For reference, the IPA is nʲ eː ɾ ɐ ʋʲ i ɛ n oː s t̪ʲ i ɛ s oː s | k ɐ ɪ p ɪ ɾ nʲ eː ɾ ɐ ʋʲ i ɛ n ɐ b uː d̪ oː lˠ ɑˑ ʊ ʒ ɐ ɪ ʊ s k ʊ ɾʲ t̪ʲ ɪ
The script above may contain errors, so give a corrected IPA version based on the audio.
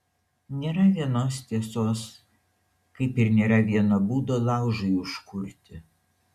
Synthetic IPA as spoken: nʲ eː ɾ ɐ ʋʲ i ɛ n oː s t̪ʲ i ɛ s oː s | k ɐ ɪ p ɪ ɾ nʲ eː ɾ ɐ ʋʲ i ɛ n ɐ b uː d̪ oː lˠ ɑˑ ʊ ʒ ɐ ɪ ʊ ʃ k ʊ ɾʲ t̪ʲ ɪ